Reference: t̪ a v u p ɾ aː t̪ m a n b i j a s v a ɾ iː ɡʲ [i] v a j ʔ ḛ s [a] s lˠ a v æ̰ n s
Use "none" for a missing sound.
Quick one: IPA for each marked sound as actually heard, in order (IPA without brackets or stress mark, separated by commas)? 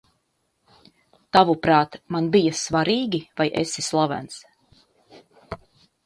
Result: i, i